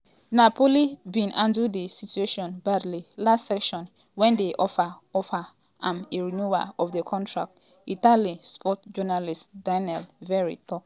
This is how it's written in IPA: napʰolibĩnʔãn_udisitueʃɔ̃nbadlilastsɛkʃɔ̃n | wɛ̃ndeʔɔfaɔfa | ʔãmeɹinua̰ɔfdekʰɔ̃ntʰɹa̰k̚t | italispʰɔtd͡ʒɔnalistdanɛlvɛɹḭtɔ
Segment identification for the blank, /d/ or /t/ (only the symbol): d